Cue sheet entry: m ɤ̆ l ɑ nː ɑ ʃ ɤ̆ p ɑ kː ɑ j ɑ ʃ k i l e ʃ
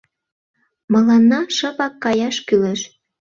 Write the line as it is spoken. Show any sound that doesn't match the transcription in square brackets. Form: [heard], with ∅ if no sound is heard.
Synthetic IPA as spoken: m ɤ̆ l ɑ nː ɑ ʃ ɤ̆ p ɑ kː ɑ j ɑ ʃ k [y] l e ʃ